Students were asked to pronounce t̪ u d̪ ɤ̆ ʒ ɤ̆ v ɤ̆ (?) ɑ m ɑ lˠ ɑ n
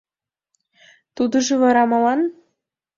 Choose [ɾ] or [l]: ɾ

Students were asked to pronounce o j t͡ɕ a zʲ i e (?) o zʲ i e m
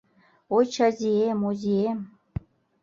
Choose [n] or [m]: m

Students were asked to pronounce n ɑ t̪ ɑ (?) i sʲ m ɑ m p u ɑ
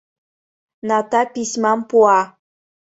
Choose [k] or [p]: p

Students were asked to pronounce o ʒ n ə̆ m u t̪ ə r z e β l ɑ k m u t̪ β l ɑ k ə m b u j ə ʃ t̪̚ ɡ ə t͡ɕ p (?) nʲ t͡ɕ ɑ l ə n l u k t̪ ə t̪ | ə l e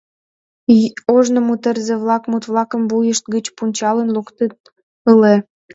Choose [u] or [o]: u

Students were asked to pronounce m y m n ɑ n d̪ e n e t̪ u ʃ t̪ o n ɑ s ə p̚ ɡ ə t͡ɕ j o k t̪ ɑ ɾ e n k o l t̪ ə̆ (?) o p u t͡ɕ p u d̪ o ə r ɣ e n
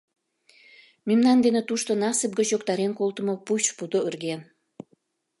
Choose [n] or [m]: m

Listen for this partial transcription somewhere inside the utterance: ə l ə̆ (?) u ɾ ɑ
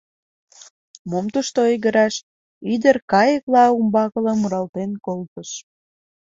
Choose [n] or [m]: m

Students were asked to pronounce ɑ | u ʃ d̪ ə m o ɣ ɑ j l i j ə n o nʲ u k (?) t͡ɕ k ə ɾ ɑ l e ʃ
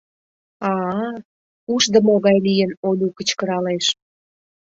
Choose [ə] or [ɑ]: ə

